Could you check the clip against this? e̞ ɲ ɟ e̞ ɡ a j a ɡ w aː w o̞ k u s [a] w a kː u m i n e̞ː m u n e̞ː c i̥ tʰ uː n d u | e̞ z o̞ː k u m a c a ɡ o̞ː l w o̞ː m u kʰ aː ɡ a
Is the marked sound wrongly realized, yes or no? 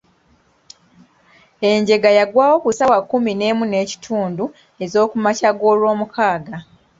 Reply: no